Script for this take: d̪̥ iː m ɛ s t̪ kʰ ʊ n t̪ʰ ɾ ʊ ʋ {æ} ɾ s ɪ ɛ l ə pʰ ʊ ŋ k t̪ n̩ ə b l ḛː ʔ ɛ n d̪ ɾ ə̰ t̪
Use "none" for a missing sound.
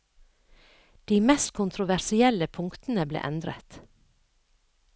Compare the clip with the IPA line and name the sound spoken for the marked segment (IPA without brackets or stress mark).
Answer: æ